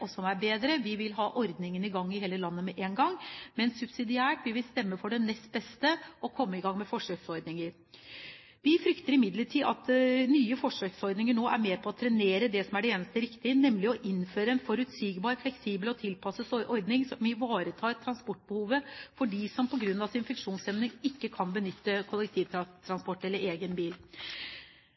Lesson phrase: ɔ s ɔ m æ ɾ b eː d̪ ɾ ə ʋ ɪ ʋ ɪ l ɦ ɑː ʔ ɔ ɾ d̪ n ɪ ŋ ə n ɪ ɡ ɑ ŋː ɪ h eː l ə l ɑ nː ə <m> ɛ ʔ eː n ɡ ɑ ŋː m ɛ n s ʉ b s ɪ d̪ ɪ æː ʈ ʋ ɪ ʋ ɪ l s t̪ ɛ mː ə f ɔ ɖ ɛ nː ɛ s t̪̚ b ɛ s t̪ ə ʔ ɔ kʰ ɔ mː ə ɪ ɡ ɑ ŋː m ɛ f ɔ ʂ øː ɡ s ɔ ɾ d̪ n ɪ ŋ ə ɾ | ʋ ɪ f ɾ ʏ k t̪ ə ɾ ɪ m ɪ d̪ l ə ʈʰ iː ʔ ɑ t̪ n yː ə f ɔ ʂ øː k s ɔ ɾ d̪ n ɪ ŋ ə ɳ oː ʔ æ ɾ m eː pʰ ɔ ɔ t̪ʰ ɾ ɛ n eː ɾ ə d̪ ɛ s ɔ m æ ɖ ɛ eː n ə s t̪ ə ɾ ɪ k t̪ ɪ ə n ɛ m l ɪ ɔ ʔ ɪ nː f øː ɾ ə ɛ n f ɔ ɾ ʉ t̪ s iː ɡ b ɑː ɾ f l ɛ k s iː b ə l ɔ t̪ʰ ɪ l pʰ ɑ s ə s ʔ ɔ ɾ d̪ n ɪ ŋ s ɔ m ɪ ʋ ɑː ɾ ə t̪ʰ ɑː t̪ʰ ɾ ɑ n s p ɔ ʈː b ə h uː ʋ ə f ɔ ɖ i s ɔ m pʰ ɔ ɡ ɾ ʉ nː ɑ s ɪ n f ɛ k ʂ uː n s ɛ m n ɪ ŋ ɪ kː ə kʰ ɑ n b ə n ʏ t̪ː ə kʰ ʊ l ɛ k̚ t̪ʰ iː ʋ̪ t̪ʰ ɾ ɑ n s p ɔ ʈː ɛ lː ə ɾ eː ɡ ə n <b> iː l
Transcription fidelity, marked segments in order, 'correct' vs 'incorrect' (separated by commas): correct, correct